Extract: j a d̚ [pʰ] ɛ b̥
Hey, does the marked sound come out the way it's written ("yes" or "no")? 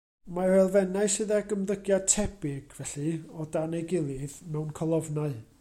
no